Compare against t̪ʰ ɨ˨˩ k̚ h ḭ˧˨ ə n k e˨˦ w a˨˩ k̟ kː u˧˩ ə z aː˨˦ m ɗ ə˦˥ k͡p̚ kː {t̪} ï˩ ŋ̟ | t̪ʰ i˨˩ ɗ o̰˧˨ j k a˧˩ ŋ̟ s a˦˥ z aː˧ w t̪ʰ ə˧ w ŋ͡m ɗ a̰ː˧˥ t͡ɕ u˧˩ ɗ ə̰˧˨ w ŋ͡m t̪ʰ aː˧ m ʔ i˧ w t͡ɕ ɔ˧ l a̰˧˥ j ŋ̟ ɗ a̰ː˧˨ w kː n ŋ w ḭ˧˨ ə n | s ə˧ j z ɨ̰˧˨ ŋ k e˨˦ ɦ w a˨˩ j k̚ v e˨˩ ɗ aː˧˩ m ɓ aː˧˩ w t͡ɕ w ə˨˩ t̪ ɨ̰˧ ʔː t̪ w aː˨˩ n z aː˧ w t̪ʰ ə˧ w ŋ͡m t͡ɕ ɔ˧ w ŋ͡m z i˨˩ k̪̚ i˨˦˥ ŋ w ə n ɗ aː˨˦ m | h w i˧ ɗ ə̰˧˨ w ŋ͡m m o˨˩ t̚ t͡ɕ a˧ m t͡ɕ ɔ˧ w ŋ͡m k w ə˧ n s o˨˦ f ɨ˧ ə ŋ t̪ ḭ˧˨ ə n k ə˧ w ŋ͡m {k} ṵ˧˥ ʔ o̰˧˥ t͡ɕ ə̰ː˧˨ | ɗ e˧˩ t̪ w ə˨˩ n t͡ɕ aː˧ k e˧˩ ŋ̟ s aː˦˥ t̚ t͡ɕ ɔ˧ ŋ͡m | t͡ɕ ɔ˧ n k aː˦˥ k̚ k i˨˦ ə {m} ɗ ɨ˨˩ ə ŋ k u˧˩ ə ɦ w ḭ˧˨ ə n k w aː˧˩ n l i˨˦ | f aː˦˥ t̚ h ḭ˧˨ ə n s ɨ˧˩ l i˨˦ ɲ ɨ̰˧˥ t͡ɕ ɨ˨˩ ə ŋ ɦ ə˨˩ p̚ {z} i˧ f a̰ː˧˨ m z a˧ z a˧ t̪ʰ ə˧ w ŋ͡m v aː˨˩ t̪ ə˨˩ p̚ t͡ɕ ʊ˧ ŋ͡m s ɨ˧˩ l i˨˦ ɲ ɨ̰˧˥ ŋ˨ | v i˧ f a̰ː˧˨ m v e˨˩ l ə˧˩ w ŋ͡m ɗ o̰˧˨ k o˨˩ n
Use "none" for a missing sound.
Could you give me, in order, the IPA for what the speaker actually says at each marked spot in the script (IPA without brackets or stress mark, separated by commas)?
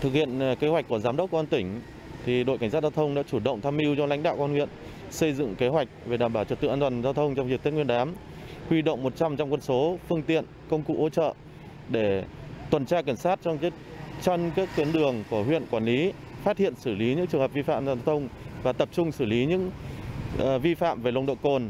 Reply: t̪, k, n, v